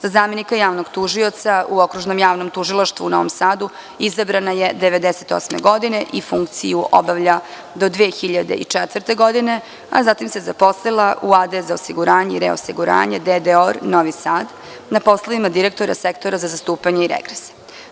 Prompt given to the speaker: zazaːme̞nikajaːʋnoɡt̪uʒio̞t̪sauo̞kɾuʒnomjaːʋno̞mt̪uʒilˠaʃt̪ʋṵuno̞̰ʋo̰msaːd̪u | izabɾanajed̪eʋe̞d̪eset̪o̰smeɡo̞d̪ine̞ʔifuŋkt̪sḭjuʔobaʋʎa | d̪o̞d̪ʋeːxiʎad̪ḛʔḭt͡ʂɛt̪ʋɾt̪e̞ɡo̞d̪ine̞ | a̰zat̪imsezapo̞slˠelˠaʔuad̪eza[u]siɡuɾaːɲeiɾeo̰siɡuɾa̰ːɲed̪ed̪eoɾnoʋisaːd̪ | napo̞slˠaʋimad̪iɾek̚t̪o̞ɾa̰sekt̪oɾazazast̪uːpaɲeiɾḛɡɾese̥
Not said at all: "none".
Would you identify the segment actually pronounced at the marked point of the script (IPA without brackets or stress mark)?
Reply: o